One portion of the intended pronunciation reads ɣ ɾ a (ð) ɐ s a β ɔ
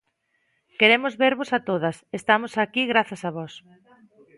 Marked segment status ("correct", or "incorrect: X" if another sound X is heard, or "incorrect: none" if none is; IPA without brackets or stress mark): incorrect: θ